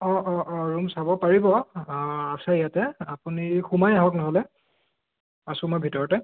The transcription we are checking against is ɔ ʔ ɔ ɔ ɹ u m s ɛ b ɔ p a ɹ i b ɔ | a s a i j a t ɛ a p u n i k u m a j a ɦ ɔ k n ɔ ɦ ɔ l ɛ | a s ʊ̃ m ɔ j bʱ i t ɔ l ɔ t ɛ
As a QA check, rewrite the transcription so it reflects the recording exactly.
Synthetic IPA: ɔ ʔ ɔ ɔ ɹ u m s a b ɔ p a ɹ i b ɔ | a s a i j a t ɛ a p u n i x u m a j a ɦ ɔ k n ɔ ɦ ɔ l ɛ | a s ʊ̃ m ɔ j bʱ i t ɔ ɹ ɔ t ɛ